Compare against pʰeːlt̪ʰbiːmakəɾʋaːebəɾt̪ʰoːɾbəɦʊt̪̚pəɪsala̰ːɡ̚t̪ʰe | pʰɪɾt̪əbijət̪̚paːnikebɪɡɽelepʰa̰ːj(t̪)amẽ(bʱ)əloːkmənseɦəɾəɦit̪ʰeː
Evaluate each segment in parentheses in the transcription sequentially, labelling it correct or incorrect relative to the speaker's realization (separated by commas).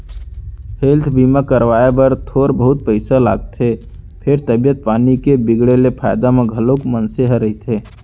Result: incorrect, incorrect